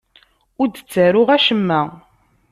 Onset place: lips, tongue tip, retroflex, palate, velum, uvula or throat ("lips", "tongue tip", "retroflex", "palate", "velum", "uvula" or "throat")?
tongue tip